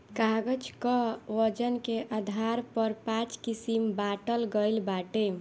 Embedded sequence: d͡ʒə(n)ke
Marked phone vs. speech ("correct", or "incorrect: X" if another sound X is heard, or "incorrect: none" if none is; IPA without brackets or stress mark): correct